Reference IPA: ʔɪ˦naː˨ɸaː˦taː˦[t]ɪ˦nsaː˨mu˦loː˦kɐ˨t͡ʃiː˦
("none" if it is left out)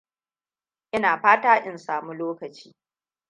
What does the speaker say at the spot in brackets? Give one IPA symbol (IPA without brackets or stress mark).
ʔ